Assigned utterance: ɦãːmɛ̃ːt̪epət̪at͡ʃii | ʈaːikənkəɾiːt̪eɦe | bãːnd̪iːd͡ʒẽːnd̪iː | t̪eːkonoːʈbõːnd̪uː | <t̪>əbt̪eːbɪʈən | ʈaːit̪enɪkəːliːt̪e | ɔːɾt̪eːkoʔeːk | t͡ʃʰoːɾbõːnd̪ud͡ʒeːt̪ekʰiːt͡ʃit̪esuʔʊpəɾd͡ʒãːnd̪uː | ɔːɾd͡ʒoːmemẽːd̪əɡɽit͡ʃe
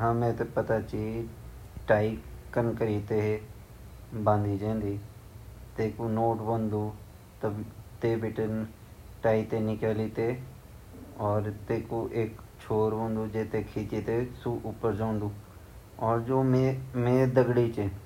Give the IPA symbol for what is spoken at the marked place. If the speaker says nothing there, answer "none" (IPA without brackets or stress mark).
t̪